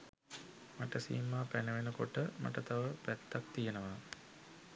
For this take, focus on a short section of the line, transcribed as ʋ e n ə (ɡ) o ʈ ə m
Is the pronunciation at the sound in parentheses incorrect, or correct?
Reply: incorrect